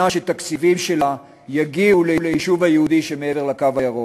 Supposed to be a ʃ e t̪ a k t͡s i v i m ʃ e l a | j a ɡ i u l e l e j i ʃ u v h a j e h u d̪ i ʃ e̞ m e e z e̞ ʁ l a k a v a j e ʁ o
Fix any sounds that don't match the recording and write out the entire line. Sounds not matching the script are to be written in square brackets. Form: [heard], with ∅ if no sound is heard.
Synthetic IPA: a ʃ e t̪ a k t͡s i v i m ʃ e l a | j a ɡ i u l e l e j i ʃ u v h a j e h u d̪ i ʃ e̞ m e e [v] e̞ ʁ l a k a v a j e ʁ o